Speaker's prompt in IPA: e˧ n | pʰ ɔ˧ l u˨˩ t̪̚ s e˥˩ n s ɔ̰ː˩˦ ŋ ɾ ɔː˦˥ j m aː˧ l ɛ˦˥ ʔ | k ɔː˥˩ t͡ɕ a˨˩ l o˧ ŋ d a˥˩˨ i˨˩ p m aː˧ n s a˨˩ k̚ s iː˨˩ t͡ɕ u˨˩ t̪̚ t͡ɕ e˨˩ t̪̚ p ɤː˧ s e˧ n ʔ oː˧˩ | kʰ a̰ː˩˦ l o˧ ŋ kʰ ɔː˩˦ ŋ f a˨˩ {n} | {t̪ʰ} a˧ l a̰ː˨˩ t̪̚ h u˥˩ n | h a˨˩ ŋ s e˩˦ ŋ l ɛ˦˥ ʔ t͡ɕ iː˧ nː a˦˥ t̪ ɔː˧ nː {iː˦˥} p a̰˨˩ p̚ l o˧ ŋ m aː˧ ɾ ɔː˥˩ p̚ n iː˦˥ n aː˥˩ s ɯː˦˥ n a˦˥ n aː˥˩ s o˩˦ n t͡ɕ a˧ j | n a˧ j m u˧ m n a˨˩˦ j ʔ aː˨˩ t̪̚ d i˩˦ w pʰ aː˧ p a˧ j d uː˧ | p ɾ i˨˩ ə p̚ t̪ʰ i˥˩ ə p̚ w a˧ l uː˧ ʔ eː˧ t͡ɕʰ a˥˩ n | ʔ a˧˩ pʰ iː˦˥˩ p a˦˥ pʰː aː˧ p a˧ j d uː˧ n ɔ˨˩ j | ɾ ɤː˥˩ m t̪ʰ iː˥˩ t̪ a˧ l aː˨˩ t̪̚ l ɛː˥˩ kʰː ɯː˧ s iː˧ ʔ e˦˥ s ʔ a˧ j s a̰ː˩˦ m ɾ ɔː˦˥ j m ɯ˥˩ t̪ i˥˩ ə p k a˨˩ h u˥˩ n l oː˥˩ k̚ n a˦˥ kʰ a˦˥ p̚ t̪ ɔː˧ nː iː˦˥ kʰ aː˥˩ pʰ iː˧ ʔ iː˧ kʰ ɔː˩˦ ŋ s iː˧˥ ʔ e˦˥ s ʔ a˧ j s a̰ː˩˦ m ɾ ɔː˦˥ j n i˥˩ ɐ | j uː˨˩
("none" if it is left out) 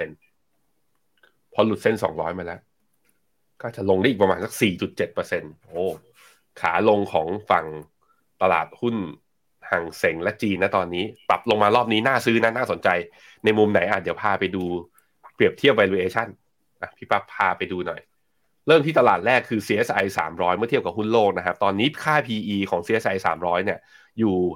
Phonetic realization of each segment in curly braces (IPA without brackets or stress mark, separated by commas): ŋ, t̪, iː˦˥